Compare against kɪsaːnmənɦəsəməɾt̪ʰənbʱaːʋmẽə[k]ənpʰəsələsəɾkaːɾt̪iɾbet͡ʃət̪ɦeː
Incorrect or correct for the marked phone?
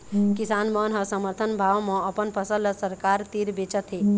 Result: incorrect: p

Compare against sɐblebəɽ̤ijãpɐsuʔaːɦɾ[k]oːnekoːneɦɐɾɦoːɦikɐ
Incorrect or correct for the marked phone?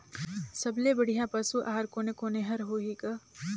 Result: correct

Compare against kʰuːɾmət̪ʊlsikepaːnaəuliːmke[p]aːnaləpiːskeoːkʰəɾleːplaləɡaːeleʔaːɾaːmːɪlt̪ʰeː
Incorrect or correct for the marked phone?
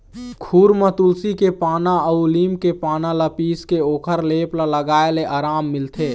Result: correct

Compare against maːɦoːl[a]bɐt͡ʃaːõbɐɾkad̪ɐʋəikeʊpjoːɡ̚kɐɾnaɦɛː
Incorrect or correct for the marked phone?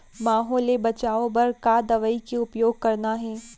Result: incorrect: e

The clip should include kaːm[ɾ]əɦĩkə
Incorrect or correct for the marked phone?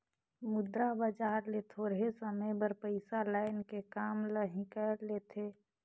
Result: incorrect: l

